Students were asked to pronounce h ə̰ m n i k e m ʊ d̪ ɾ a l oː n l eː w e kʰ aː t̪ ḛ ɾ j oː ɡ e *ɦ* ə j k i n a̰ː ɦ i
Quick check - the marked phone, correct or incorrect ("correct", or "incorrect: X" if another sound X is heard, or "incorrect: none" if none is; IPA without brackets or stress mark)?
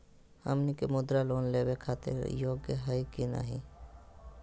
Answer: correct